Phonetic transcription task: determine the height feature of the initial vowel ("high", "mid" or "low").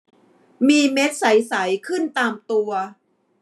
high